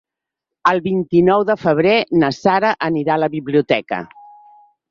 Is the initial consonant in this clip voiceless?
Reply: no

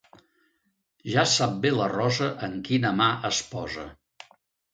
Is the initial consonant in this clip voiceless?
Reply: no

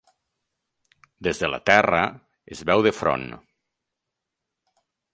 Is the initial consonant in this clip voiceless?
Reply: no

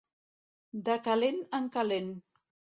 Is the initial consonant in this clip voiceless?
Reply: no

